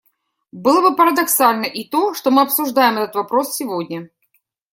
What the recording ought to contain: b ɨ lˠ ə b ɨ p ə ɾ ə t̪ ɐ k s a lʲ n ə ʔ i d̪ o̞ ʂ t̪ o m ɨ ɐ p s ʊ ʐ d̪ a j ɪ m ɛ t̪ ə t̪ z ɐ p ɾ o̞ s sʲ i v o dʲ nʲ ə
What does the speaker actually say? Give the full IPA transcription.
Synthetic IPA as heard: b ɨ lˠ ə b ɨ p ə ɾ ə d̪ ɐ k s a lʲ n ə ʔ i t̪ o̞ ʂ t̪ o m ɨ ɐ p s ʊ ʐ d̪ a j ɪ m ɛ t̪ ə t̪ v ɐ p ɾ o̞ s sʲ ɪ v o dʲ nʲ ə